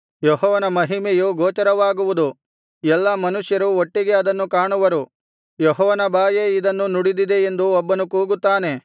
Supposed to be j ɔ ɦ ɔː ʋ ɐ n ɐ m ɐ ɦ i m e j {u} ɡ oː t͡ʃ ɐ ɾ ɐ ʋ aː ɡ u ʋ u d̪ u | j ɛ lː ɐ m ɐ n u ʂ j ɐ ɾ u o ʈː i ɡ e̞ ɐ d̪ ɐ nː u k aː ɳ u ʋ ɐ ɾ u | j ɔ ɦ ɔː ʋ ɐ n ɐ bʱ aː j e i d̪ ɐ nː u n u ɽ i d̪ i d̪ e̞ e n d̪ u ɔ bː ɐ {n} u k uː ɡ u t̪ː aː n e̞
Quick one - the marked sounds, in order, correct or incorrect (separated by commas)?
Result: correct, correct